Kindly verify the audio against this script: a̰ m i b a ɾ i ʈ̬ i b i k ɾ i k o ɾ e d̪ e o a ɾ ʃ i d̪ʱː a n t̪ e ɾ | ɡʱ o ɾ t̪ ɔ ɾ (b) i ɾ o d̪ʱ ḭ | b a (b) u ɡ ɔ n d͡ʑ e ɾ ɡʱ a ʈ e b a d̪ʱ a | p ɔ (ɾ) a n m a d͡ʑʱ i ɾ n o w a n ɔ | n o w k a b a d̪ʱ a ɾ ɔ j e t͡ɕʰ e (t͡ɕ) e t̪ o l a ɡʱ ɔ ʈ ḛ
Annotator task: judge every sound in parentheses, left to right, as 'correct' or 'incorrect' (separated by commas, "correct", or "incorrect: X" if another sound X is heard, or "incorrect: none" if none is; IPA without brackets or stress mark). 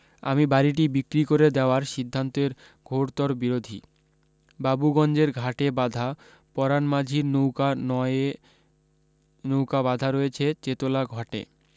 correct, correct, correct, correct